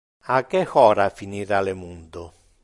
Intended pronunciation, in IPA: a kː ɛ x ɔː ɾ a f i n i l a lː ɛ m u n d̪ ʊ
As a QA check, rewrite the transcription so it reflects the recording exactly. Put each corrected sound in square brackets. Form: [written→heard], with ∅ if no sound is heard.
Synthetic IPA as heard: a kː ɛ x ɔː ɾ a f i n i [l→ɾ] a [lː→l] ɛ m u n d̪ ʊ